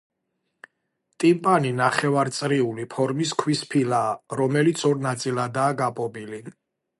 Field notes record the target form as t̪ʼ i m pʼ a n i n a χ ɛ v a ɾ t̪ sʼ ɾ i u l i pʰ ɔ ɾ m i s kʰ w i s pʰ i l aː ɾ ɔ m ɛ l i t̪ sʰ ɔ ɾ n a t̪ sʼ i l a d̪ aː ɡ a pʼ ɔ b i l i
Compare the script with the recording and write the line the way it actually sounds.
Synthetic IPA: t̪ʼ i m pʼ a n i n a χ ɛ v a ɾ t̪ sʼ ɾ i u l i pʰ ɔ ɾ m i s kʰ w i s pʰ i l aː ɾ ɔ m ɛ l i t̪ sʰ ɔ ɾ n a t̪ sʼ i l a d̪ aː ɡ a pʼ ɔ b i l i